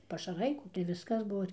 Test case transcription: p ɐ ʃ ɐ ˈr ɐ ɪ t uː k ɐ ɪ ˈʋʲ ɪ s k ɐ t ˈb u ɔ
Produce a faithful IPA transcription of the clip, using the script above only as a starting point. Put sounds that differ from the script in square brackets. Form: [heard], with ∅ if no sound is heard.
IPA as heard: p ɐ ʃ ɐ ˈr ɐ ɪ [k] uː [t] ɐ ɪ ˈʋʲ ɪ s k ɐ [s] ˈb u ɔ